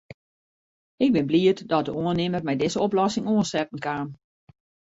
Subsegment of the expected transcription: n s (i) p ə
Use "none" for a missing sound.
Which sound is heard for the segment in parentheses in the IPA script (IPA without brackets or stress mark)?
ɛ